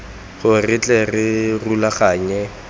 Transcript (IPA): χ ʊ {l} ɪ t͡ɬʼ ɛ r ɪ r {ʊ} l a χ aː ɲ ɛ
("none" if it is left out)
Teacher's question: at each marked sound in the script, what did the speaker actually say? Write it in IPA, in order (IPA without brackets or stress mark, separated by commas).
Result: r, u